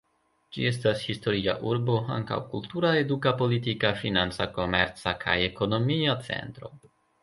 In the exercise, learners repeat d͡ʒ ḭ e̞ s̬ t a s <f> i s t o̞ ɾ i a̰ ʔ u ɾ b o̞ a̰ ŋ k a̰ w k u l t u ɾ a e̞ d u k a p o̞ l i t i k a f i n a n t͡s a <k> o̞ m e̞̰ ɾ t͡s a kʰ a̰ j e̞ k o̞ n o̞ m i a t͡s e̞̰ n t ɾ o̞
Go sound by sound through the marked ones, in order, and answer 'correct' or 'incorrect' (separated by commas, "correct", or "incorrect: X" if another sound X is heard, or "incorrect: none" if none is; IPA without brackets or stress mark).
incorrect: h, correct